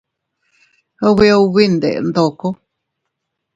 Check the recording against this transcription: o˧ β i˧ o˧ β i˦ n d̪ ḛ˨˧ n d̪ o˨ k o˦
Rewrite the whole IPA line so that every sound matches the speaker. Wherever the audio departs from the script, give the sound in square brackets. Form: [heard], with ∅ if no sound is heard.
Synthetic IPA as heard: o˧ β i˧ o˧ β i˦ n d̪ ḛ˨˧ n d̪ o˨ k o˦